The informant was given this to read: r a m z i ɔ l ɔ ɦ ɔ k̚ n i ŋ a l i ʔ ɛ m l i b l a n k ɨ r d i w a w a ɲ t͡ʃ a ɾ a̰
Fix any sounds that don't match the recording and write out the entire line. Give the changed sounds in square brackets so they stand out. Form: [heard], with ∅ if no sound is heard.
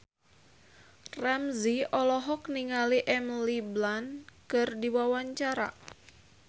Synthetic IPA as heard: r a m z i ɔ l ɔ ɦ ɔ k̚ n i ŋ a l i ʔ ɛ m l i b l a n k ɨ r d i w a w a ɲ t͡ʃ a ɾ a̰